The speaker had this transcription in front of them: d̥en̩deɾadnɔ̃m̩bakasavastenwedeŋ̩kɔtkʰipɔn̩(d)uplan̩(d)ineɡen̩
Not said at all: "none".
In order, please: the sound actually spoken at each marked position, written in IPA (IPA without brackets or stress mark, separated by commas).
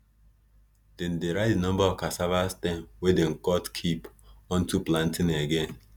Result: t, t